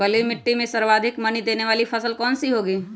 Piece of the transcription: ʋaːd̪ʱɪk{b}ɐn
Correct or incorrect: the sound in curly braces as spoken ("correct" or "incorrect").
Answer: incorrect